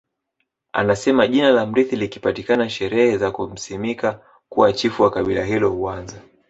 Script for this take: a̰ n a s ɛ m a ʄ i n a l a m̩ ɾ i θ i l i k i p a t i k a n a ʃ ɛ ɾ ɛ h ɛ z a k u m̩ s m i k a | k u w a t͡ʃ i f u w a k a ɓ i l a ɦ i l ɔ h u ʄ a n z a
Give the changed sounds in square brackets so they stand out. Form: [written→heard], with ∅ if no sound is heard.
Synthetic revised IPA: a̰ n a s ɛ m a ʄ i n a l a m̩ ɾ i θ i l i k i p a t i k a n a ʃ ɛ ɾ ɛ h ɛ z a k u m̩ s m i k a | k u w a t͡ʃ i f u w a k a ɓ i l a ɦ i l ɔ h u [ʄ→∅] a n z a